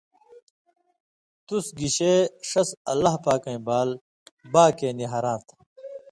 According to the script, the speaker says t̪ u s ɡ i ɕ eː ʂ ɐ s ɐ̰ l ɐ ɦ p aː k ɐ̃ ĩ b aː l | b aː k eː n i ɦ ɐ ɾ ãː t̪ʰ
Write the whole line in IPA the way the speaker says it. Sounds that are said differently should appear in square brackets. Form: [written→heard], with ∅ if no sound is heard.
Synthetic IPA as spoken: t̪ u s ɡ i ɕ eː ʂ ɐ s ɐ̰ l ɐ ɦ p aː k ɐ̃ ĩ b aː l | b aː k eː n i ɦ ɐ ɾ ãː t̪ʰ